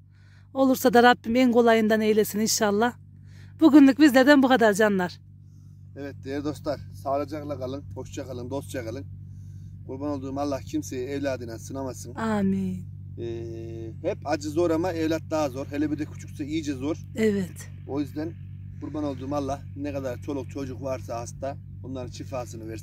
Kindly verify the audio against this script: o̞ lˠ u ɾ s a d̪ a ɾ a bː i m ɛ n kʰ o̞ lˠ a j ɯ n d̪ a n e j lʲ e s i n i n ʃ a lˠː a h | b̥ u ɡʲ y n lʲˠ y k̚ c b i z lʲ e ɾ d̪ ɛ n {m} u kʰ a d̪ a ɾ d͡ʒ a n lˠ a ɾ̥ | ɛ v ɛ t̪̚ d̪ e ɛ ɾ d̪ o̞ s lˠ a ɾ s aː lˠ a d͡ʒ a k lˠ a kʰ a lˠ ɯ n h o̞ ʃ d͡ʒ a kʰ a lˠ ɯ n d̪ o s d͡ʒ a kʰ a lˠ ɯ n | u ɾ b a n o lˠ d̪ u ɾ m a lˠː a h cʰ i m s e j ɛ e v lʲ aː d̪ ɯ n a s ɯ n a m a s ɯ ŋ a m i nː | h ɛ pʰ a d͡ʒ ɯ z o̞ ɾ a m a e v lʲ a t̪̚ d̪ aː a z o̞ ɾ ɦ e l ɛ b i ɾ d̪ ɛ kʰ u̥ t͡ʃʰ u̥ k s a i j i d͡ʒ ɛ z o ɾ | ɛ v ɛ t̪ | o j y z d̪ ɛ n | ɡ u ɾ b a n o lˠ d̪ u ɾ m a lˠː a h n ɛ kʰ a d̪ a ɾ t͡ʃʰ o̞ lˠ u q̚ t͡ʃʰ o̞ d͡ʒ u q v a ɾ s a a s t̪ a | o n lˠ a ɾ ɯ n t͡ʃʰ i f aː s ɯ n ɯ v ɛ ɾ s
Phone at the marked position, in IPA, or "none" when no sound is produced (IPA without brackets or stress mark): b